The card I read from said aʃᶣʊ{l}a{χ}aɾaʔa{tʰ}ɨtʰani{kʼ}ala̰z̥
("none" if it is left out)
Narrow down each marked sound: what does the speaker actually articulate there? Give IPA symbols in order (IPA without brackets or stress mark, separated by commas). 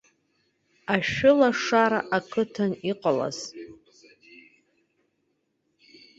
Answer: l, ʂ, kʰ, qʼ